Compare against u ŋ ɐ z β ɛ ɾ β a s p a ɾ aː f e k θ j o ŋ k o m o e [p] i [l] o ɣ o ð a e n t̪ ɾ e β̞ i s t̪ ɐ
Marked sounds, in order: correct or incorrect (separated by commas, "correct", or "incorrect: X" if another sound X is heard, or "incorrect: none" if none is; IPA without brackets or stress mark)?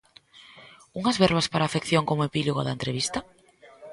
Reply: correct, correct